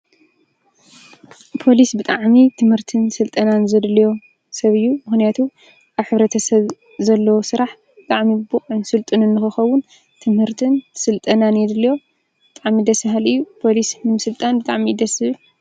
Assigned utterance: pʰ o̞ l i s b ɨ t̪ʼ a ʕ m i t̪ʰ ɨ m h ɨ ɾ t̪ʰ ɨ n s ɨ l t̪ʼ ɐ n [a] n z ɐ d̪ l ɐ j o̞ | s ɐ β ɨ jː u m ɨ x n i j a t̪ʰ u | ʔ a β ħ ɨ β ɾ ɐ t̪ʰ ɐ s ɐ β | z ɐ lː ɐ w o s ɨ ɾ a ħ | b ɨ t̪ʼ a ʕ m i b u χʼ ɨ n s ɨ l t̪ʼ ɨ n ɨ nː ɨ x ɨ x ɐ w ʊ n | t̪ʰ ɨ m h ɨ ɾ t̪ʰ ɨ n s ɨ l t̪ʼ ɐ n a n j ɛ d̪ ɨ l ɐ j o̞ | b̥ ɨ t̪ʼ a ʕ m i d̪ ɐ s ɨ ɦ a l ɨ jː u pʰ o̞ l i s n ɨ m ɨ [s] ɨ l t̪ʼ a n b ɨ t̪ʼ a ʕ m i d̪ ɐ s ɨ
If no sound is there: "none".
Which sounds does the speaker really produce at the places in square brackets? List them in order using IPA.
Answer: a, s

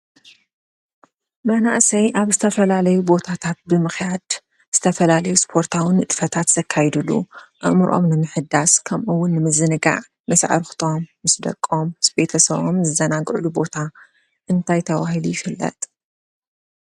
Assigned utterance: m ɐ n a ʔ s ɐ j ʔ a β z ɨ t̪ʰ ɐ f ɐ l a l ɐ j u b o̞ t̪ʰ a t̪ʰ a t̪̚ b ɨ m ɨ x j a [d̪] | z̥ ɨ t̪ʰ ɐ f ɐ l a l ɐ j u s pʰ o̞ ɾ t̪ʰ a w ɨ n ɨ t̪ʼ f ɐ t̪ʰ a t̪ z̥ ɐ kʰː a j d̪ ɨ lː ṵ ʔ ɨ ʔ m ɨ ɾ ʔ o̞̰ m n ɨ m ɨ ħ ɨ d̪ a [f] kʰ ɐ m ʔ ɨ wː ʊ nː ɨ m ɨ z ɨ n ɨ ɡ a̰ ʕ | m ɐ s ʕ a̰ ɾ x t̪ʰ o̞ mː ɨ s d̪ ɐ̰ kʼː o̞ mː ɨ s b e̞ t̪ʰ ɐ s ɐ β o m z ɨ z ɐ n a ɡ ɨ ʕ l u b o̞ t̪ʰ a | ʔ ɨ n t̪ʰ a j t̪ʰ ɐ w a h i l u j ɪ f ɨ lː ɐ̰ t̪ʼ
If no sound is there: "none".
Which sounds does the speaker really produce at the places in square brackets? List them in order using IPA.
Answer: d̪, s

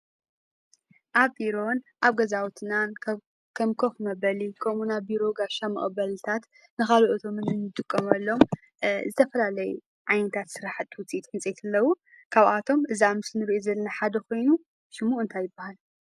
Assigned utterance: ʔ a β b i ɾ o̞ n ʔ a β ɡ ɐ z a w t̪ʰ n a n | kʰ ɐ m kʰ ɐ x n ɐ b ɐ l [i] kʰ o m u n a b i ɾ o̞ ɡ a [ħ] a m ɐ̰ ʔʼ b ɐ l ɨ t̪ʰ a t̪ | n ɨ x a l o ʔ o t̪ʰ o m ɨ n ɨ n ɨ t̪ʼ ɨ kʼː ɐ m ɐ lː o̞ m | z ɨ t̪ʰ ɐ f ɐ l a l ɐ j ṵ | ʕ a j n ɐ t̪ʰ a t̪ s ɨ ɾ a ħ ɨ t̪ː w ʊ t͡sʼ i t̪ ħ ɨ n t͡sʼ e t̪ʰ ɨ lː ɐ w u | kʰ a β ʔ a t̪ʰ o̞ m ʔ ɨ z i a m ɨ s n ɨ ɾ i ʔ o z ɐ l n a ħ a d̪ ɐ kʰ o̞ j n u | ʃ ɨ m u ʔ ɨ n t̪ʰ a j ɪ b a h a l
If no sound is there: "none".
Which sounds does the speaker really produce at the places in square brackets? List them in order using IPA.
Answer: i, ʃ

